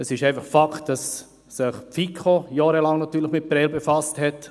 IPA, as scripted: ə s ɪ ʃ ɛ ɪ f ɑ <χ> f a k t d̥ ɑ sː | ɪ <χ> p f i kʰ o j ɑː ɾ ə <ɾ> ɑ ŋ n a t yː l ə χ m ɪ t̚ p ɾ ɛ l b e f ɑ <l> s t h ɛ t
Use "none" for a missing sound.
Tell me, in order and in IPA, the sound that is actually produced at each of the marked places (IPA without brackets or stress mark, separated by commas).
χ, χ, l, none